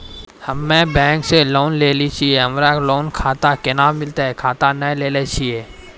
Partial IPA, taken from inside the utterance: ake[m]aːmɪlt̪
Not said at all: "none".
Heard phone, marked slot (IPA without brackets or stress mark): n